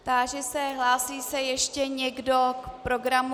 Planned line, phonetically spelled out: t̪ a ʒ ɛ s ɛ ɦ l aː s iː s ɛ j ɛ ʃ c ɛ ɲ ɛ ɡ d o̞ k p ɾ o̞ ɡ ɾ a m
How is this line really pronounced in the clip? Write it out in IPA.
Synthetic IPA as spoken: t̪ a ʒ ɛ s ɛ ɦ l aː s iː s ɛ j ɛ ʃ c ɛ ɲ ɛ ɡ d o̞ k p ɾ o̞ ɡ ɾ a m